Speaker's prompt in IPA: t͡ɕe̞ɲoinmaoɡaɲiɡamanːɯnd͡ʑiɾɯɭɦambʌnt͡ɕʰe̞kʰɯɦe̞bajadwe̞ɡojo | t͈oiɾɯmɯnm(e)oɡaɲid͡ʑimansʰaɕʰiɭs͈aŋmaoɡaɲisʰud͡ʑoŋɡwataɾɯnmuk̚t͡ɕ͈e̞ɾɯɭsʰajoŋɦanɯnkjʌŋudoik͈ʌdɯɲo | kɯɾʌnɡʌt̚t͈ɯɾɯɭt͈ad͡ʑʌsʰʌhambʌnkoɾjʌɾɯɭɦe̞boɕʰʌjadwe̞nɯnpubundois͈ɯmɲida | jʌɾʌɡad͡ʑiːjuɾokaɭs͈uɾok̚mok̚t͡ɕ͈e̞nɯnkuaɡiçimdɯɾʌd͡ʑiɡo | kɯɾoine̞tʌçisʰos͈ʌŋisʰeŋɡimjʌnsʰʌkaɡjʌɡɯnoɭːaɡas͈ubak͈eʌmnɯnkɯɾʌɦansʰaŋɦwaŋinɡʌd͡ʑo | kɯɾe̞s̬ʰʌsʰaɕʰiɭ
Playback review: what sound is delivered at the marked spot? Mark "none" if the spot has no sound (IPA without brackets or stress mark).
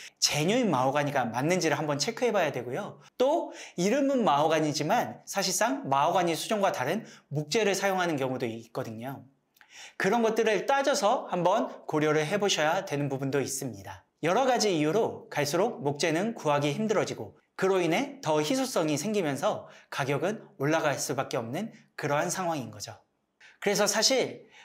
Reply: a